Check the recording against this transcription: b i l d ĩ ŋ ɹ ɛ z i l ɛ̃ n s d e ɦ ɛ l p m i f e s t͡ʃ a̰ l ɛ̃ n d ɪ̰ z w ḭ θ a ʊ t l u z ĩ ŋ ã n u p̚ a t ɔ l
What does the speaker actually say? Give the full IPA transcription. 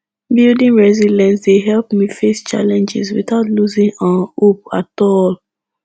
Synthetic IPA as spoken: b i l d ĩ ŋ ɹ ɛ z i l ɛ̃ n s d e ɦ ɛ l p m i f e s t͡ʃ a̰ l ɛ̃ n d͡ʒ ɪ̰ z w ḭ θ a ʊ t l u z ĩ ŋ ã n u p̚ a t ɔ l